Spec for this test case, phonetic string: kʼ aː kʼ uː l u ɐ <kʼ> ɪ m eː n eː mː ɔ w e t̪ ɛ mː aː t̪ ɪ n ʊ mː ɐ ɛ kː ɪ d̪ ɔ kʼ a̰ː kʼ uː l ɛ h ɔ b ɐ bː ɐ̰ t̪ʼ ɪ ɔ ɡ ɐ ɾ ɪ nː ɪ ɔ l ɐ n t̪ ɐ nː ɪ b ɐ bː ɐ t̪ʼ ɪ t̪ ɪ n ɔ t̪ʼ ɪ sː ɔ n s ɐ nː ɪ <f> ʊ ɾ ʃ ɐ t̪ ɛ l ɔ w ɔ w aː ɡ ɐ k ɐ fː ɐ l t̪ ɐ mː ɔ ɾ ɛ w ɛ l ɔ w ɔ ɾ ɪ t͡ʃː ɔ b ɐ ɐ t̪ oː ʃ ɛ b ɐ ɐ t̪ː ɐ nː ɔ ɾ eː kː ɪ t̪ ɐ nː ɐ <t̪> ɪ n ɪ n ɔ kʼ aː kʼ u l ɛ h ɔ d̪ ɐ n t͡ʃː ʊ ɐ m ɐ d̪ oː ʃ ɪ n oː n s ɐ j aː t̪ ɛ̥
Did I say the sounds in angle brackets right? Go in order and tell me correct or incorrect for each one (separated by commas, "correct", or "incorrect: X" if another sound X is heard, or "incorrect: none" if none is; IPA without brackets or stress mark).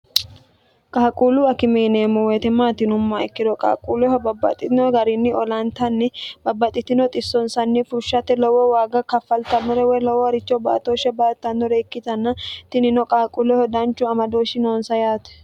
incorrect: k, correct, correct